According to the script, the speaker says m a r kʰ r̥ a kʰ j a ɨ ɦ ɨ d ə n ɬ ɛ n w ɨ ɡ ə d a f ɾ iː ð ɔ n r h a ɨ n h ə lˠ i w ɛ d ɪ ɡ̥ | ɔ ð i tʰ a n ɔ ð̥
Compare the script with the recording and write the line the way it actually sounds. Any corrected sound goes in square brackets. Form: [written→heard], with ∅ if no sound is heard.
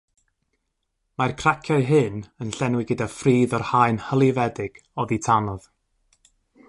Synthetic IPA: m a r kʰ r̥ a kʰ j a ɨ ɦ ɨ [d→n] ə n ɬ ɛ n w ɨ ɡ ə d a f [ɾ→r] iː ð ɔ [n→∅] r h a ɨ n h ə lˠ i [w→v] ɛ d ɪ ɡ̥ | ɔ ð i tʰ a n ɔ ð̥